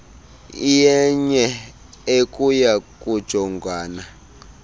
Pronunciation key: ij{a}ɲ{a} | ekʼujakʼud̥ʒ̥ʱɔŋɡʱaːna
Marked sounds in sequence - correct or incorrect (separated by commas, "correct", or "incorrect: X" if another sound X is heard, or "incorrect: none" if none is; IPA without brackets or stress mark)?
incorrect: ɛ, incorrect: ɛ